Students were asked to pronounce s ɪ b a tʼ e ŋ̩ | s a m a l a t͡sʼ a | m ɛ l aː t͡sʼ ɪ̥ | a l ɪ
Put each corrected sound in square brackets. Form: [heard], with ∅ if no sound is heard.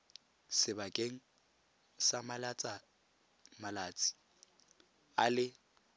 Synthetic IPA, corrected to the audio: s ɪ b a [kʼ] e ŋ̩ | s a m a l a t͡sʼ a | m [a] l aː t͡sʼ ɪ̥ | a l ɪ